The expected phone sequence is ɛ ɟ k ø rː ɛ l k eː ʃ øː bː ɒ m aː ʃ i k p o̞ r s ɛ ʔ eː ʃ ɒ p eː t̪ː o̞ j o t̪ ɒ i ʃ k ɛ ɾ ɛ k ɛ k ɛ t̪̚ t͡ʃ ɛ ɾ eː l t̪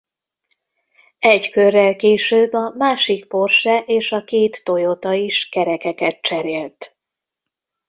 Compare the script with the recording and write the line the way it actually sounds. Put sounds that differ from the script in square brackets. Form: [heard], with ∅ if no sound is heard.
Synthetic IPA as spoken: ɛ ɟ k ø rː ɛ l k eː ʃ øː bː ɒ m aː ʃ i k p o̞ r [ʃ] ɛ ʔ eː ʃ ɒ [k] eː t̪ː o̞ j o t̪ ɒ i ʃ k ɛ ɾ ɛ k ɛ k ɛ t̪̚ t͡ʃ ɛ ɾ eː l t̪